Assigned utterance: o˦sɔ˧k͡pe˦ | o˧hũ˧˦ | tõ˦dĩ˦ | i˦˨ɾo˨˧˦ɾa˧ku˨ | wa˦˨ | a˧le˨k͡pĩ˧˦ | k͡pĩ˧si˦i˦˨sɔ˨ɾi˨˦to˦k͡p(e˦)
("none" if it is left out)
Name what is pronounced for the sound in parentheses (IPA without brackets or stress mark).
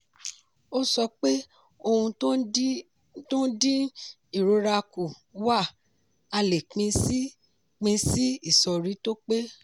e˦